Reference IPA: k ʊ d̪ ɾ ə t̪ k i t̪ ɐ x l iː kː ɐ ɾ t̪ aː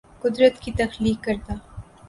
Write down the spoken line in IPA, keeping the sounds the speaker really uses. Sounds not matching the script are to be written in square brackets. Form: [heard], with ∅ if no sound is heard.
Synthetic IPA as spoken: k ʊ d̪ ɾ ə t̪ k i t̪ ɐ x l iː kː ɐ ɾ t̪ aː